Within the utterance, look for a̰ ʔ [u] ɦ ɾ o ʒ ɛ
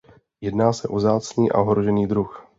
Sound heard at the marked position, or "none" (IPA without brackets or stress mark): o